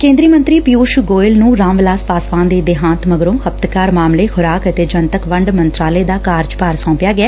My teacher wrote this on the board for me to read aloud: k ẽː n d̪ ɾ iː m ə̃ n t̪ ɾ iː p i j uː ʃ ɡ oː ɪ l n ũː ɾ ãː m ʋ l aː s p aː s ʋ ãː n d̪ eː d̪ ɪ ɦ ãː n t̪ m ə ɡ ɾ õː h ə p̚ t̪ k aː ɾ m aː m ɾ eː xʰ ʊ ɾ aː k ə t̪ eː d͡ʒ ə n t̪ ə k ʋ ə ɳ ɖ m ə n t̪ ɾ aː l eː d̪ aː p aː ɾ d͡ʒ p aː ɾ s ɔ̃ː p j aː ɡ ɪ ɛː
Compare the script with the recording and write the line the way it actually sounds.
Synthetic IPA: k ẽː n d̪ ɾ iː m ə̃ n t̪ ɾ iː p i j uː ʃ ɡ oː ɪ l n ũː ɾ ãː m ʋ l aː s p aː s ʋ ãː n d̪ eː d̪ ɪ ɦ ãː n t̪ m ə ɡ ɾ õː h ə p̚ t̪ k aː ɾ m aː m l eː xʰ ʊ ɾ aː k ə t̪ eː d͡ʒ ə n t̪ ə k ʋ ə ɳ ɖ m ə n t̪ ɾ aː l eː d̪ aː k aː ɾ d͡ʒ p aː ɾ s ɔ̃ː p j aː ɡ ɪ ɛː